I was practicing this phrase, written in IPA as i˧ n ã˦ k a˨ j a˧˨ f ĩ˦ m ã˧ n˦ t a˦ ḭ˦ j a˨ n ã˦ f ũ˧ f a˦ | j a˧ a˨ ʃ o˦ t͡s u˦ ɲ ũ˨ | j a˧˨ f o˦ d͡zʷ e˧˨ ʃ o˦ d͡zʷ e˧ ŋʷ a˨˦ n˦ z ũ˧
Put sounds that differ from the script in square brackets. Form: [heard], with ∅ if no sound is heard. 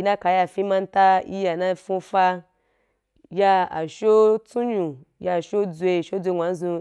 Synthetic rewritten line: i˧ n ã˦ k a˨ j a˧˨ f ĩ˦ m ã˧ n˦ t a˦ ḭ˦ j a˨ n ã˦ f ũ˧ f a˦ | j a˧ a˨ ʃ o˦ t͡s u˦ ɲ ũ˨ | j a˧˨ [ʃ] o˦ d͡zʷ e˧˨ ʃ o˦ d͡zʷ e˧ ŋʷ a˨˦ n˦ z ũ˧